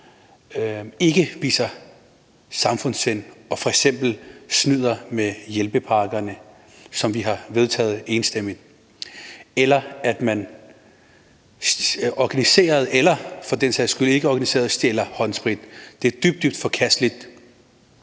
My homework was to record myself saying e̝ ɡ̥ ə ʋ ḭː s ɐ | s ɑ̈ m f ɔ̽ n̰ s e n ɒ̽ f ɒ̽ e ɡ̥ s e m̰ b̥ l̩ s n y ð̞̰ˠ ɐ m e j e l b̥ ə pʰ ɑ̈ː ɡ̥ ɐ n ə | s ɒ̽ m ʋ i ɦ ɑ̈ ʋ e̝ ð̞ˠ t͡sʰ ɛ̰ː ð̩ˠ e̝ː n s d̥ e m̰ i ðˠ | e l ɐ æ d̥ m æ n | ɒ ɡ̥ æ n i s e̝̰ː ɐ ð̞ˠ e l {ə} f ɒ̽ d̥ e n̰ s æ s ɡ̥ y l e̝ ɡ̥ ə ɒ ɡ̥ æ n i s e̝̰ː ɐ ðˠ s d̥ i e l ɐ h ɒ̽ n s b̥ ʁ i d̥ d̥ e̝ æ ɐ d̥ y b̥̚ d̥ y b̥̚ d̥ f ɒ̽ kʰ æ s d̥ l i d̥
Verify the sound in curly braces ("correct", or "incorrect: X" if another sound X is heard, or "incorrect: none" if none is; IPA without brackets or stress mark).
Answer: incorrect: ɐ